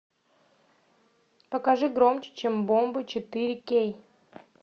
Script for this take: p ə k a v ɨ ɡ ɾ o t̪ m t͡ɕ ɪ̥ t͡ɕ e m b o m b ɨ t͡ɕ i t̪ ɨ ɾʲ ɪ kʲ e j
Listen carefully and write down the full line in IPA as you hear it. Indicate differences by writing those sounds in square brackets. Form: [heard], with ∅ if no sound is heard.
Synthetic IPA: p ə k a [ʐ] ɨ ɡ ɾ o [∅] m t͡ɕ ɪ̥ t͡ɕ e m b o m b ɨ t͡ɕ [ɪ] t̪ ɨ ɾʲ ɪ kʲ e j